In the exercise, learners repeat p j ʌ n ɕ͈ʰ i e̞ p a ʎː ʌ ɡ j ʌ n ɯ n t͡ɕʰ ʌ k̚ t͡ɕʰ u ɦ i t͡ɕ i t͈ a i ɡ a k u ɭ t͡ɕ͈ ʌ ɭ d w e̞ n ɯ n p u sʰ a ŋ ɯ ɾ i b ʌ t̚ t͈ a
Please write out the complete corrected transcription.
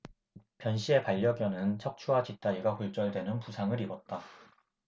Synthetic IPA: p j ʌ n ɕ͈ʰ i e̞ p a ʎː ʌ ɡ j ʌ n ɯ n t͡ɕʰ ʌ k̚ t͡ɕʰ u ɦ a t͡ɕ i t͈ a i ɡ a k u ɭ t͡ɕ͈ ʌ ɭ d w e̞ n ɯ n p u sʰ a ŋ ɯ ɾ i b ʌ t̚ t͈ a